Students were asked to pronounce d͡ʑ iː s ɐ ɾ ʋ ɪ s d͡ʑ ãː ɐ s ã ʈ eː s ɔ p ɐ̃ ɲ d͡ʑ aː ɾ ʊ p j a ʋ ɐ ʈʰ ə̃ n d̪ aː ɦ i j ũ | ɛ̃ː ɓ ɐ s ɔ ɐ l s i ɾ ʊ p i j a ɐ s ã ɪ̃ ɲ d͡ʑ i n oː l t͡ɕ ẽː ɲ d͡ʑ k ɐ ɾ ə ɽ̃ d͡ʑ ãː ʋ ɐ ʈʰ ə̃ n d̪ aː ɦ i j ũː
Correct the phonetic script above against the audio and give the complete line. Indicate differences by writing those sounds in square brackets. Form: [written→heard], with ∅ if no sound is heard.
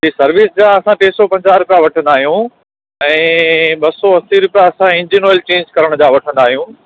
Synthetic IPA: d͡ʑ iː s ɐ ɾ ʋ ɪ s d͡ʑ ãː ɐ s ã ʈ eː s ɔ p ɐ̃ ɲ d͡ʑ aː ɾ ʊ p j a ʋ ɐ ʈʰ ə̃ n d̪ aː ɦ i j ũ | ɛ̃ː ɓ ɐ s ɔ ɐ [l→∅] s i ɾ ʊ p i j a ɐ s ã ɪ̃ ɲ d͡ʑ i n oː l t͡ɕ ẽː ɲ d͡ʑ k ɐ ɾ ə ɽ̃ d͡ʑ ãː ʋ ɐ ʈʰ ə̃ n d̪ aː ɦ i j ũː